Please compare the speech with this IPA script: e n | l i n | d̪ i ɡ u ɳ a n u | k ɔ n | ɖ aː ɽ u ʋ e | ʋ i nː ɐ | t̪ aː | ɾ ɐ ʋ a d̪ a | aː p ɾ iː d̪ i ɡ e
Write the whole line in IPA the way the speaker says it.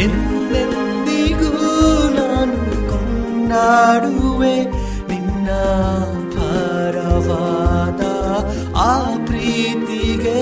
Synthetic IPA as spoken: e n | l e n | d̪ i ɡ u n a n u | k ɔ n | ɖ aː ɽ u ʋ e | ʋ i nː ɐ | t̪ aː | ɾ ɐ ʋ a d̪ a | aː p ɾ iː t̪ i ɡ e